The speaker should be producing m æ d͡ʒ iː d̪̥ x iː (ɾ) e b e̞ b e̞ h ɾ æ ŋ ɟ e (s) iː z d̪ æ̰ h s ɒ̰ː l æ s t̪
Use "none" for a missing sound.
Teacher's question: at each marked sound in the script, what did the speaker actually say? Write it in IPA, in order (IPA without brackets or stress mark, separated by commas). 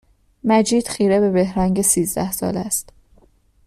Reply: ɾ, s